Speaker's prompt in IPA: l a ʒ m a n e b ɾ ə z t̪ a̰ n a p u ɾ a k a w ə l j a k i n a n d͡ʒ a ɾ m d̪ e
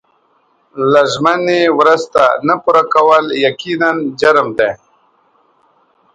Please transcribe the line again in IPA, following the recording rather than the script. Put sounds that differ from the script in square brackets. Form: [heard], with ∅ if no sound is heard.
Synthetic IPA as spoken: l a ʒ m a n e [w] ɾ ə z t̪ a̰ n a p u ɾ a k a w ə l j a k i n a n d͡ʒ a ɾ m d̪ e